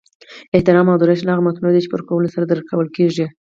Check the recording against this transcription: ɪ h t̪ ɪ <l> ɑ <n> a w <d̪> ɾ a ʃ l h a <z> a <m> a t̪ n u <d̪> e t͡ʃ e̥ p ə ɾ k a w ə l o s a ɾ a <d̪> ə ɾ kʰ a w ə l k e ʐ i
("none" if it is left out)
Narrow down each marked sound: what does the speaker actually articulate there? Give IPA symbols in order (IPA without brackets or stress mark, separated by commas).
ɾ, m, d̪, ɣ, m, d̪, d̪